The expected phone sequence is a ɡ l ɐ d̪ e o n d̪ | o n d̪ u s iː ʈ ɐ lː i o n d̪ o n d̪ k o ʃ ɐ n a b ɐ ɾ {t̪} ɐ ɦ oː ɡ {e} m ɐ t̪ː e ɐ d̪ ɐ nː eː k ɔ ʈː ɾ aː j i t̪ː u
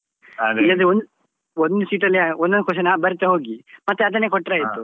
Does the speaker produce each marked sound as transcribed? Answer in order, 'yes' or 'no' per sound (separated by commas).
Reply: yes, no